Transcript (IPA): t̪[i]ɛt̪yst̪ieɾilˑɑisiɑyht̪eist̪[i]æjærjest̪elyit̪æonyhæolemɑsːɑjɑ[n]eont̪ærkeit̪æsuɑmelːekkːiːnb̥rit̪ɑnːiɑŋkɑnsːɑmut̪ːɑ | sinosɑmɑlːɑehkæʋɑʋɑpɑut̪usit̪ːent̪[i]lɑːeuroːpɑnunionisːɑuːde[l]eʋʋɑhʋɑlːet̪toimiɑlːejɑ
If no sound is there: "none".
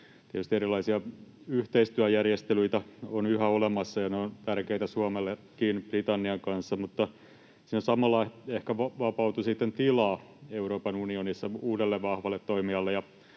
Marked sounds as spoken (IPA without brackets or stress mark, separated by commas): i, y, n, i, lː